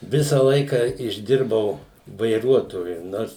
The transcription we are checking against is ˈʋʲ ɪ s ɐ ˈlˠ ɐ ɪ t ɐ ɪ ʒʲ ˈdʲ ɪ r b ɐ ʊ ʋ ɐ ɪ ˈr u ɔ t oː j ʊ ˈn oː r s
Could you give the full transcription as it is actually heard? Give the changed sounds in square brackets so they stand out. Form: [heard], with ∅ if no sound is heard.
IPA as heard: ˈʋʲ ɪ s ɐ ˈlˠ ɐ ɪ [k] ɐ ɪ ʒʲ ˈdʲ ɪ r b ɐ ʊ ʋ ɐ ɪ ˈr u ɔ t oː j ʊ ˈn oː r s